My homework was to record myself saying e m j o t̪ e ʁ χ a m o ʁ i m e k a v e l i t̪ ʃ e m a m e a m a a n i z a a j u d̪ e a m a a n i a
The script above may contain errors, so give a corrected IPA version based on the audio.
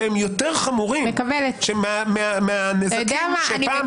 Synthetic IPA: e m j o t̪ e ʁ χ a m u ʁ i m e k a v e l e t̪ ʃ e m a m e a m e a n e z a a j o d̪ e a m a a n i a

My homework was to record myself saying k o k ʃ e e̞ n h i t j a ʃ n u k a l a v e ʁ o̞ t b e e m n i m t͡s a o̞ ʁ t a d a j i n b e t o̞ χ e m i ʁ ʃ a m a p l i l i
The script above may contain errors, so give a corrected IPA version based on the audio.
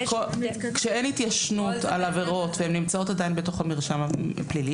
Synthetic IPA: k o k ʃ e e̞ n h i t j a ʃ n u t a l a v e ʁ o̞ t v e e m n i m t͡s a o̞ t a d a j i n b e t o̞ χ a m i ʁ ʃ a m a p l i l i

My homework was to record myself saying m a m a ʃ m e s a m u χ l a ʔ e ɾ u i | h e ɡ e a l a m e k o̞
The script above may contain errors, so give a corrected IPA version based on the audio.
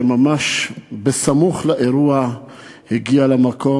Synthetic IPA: m a m a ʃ b e s a m u χ l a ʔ e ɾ u a | h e ɡ i a l a m a k o̞

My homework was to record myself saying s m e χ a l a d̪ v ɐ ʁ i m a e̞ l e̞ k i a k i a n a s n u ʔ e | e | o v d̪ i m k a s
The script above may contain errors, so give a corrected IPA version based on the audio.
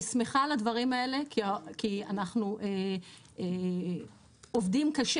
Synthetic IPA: s m e χ a l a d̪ v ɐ ʁ i m a e̞ l e̞ k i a k i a n a χ n u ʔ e | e | o v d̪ i m k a ʃ

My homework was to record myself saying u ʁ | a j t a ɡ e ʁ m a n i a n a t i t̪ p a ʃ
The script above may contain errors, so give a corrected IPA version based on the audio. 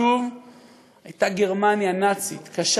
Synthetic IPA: u v | a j t a ɡ e ʁ m a n j a n a t͡s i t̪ k a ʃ

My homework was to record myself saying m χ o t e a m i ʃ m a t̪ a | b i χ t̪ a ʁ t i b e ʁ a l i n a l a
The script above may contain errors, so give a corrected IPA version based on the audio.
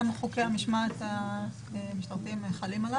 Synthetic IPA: m χ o k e a m i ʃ m a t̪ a | m i ʃ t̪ a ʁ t i m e χ a l i m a l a

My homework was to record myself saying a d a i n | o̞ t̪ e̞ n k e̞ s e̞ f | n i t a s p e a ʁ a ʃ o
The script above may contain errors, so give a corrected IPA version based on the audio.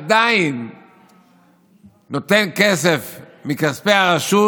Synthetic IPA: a d a i n | o̞ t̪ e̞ n k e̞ s e̞ f | m i k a s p e a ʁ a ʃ u

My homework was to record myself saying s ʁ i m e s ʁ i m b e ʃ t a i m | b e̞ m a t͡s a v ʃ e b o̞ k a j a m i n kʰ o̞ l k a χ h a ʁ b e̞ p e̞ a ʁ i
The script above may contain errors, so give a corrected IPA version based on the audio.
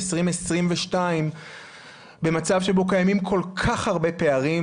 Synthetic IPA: s ʁ i m e s ʁ i m v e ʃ t a i m | b e̞ m a t͡s a v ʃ e b o̞ k a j a m i m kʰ o̞ l kʰ a χ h a ʁ b e̞ p e̞ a ʁ i

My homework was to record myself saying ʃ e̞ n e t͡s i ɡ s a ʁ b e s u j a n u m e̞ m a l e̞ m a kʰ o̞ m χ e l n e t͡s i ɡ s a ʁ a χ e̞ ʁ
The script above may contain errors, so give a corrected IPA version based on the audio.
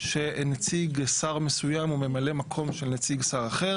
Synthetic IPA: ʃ e̞ n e t͡s i ɡ s a ʁ m e s u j a m u m e̞ m a l e̞ m a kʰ o̞ m ʃ e l n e t͡s i ɡ s a ʁ a χ e̞ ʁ

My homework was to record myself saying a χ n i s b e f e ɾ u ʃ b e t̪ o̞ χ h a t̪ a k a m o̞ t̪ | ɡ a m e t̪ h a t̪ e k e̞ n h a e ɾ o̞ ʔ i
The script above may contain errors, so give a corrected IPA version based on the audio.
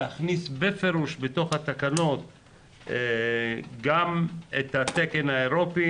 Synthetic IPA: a χ n i s b e f e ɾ u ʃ b e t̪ o̞ χ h a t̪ a k a n o̞ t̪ | ɡ a m e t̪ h a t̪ e k e̞ n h a e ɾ o̞ p i

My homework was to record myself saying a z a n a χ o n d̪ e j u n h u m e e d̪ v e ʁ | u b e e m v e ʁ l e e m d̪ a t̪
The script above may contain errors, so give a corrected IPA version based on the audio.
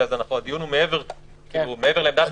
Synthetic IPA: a z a n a χ o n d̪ i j u n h u m e e v e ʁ | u m e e v e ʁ l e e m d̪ a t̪

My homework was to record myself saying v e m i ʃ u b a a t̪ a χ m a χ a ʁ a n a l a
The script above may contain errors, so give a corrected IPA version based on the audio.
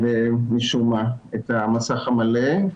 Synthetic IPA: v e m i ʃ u m a e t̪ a m a s a χ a m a l e

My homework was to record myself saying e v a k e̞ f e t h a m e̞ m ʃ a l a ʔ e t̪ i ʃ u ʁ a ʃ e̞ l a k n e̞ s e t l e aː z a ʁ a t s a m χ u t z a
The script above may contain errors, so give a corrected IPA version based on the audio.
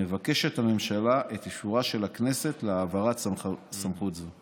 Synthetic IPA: e v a k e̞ ʃ e t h a m e̞ m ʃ a l a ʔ e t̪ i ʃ u ʁ a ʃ e̞ l a k n e̞ s e t l e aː v a ʁ a t s a m χ u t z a

